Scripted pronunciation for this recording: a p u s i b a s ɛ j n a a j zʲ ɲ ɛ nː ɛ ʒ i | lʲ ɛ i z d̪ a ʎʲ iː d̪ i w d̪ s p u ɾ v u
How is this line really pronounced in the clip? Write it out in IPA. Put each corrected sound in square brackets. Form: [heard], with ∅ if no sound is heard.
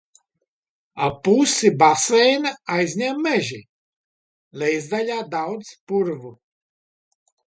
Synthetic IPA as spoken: a p u s i b a s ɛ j n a a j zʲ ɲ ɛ [mː] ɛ ʒ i | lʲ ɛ [j] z d̪ a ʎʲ [aː] d̪ [a] w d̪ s p u ɾ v u